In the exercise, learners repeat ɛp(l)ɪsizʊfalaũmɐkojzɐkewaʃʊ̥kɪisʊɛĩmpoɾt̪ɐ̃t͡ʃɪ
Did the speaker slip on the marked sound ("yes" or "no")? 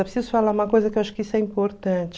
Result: yes